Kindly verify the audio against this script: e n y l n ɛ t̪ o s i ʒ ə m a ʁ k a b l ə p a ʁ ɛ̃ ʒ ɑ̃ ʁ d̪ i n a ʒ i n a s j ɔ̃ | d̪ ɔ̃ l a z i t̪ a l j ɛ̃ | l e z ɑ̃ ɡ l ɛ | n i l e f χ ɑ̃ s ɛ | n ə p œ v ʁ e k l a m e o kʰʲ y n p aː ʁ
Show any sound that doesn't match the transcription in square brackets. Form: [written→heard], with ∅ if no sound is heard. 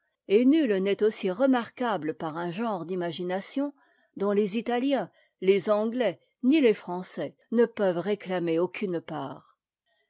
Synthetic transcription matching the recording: e n y l n ɛ t̪ o s i [ʒ→ʁ] ə m a ʁ k a b l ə p a ʁ ɛ̃ ʒ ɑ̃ ʁ d̪ i [n→m] a ʒ i n a s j ɔ̃ | d̪ ɔ̃ l [a→e] z i t̪ a l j ɛ̃ | l e z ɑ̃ ɡ l ɛ | n i l e f χ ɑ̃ s ɛ | n ə p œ v ʁ e k l a m e o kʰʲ y n p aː ʁ